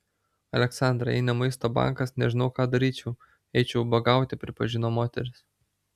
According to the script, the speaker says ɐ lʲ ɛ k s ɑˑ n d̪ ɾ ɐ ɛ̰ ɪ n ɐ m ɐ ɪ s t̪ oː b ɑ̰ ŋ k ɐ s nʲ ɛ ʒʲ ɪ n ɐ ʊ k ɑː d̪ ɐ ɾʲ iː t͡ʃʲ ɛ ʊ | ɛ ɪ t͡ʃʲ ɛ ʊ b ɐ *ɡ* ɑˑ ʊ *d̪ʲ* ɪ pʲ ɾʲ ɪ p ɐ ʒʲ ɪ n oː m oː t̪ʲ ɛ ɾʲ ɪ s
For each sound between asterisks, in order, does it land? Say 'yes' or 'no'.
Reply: yes, no

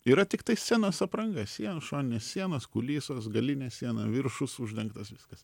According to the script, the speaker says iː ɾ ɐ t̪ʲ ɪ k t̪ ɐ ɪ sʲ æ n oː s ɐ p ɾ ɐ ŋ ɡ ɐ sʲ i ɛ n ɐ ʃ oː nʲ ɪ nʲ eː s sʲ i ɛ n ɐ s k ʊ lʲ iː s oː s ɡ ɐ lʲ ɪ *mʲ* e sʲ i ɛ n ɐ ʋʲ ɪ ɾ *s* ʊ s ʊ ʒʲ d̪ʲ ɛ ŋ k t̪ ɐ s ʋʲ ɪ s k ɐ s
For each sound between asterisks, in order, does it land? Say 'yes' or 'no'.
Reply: no, no

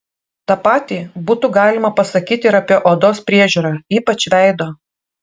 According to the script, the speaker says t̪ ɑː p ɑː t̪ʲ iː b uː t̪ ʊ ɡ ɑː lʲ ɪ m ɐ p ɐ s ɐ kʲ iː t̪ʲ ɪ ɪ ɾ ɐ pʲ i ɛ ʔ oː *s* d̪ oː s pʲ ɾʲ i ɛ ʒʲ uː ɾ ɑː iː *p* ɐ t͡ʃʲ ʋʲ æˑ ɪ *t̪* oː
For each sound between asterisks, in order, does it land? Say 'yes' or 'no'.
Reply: no, yes, no

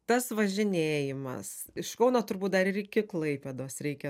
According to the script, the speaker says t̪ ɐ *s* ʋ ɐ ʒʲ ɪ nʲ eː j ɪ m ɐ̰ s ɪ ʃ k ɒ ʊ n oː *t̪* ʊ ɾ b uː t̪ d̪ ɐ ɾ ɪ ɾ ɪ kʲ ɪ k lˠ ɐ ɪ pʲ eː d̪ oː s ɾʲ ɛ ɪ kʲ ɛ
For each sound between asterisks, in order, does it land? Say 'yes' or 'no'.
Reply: yes, yes

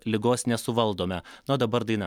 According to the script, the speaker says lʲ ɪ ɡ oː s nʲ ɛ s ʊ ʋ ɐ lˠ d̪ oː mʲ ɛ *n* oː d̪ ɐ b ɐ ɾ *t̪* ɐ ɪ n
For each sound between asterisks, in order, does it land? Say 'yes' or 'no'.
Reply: yes, no

